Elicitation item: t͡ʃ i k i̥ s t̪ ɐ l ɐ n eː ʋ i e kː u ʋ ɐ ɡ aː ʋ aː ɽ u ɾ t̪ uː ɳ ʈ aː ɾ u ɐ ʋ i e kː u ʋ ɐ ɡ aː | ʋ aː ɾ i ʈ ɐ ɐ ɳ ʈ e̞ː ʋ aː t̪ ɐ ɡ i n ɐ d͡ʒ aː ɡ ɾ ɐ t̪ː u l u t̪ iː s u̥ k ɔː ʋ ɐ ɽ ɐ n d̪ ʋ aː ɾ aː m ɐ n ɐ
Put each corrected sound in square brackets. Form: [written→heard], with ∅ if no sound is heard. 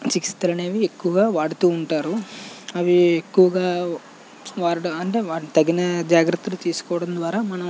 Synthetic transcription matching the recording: t͡ʃ i k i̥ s t̪ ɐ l ɐ n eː ʋ i e kː u ʋ ɐ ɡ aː ʋ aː ɽ u [ɾ→∅] t̪ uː ɳ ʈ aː ɾ u ɐ ʋ i e kː u ʋ ɐ ɡ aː | ʋ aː ɾ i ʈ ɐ ɐ ɳ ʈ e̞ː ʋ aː t̪ ɐ ɡ i n ɐ d͡ʒ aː ɡ ɾ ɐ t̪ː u l u t̪ iː s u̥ k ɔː ʋ ɐ ɽ ɐ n d̪ ʋ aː ɾ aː m ɐ n ɐ